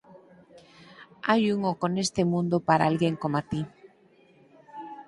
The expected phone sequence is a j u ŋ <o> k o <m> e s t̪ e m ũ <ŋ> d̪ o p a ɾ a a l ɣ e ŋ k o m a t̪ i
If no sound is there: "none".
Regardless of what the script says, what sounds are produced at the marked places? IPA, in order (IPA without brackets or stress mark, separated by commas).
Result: o, n, n